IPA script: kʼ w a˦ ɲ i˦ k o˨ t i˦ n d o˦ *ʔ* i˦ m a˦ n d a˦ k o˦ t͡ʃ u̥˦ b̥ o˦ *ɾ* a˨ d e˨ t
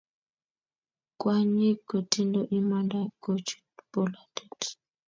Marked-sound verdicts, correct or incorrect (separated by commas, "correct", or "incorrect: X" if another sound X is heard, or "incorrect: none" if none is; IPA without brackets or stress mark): correct, incorrect: l